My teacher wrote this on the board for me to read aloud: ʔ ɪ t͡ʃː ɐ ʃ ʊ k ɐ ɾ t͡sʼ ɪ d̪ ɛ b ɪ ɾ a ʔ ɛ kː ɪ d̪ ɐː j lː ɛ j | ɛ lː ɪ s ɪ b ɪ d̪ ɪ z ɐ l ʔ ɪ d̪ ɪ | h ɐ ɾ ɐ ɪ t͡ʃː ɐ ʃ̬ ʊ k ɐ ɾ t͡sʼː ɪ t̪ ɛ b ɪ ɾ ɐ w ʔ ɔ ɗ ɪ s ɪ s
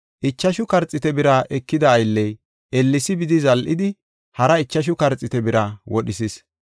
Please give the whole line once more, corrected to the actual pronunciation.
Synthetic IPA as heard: ʔ ɪ t͡ʃː ɐ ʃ ʊ k ɐ ɾ t͡sʼ ɪ t̪ ɛ b ɪ ɾ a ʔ ɛ kː ɪ d̪ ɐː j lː ɛ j | ɛ lː ɪ s ɪ b ɪ d̪ ɪ z ɐ l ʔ ɪ d̪ ɪ | h ɐ ɾ ɐ ɪ t͡ʃː ɐ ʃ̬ ʊ k ɐ ɾ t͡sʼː ɪ t̪ ɛ b ɪ ɾ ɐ w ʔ ɔ ɗ ɪ s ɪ s